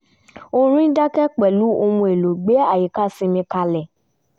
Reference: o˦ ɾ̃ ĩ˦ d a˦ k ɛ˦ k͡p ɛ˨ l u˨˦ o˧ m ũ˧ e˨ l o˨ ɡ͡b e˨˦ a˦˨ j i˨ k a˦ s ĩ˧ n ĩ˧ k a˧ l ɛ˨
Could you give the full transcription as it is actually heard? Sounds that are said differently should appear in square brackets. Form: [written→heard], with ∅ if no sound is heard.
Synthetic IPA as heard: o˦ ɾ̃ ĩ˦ d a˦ k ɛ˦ k͡p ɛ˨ l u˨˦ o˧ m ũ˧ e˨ l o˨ ɡ͡b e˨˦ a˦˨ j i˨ k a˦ s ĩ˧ [n→m] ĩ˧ k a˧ l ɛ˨